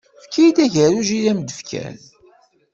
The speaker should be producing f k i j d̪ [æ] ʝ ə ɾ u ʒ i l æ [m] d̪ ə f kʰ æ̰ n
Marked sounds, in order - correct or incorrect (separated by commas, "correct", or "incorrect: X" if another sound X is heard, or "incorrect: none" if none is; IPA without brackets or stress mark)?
correct, correct